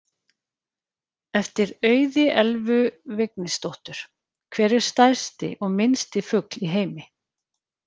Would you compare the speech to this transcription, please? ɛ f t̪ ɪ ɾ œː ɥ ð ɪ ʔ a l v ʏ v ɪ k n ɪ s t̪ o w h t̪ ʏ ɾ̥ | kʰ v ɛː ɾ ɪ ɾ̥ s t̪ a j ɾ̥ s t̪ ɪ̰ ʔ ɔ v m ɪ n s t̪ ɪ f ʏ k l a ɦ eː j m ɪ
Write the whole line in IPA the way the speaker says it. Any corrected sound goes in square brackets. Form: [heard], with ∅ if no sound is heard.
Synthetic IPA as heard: ɛ f t̪ ɪ ɾ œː ɥ ð ɪ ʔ [ɛ] l v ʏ v ɪ k n ɪ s t̪ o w h t̪ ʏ ɾ̥ | kʰ v ɛː ɾ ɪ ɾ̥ s t̪ a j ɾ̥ s t̪ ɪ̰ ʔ ɔ [ɣ] m ɪ n s t̪ ɪ f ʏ k l [i] ɦ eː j m ɪ